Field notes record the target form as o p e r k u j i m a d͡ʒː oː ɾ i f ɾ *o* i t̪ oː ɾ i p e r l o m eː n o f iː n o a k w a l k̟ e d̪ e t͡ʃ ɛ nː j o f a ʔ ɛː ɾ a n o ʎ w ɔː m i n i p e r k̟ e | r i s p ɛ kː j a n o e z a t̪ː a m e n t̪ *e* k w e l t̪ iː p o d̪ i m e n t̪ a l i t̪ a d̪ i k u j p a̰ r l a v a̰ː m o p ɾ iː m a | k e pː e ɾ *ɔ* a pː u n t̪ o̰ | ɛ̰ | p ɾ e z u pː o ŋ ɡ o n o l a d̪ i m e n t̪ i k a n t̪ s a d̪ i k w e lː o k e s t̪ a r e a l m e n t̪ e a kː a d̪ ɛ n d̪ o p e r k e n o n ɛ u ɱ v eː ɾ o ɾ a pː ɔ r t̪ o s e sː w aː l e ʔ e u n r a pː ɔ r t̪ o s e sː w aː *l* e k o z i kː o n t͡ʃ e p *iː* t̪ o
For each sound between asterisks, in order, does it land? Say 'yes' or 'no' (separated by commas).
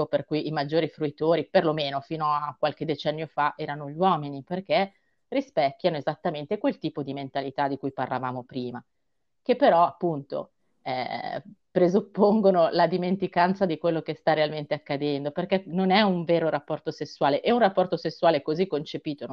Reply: no, yes, yes, yes, yes